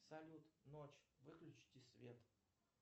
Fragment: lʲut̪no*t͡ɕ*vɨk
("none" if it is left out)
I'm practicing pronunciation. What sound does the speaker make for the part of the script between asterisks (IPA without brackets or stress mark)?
t͡ɕ